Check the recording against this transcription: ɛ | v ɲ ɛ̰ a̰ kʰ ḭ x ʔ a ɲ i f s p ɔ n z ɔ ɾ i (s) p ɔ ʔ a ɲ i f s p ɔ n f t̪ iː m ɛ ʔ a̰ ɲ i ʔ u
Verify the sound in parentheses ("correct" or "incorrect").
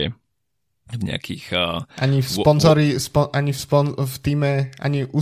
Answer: correct